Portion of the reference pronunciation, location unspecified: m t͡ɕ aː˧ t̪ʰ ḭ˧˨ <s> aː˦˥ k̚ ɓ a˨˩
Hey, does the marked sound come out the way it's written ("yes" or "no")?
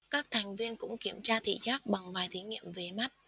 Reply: no